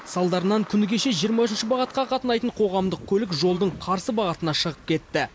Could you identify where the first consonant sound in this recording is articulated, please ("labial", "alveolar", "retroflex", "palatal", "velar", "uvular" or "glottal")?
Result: alveolar